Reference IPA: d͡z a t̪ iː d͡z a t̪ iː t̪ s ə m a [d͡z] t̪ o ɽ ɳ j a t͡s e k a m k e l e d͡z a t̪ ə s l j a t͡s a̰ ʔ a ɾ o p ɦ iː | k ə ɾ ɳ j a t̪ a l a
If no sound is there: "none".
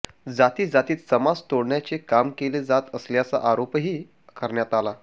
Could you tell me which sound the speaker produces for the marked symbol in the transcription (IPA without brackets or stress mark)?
d͡z